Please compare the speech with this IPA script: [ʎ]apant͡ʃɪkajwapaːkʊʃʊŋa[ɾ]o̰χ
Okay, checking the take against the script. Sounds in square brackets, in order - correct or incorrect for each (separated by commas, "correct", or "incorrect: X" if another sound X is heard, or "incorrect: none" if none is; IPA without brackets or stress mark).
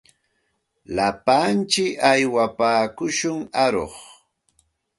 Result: incorrect: l, correct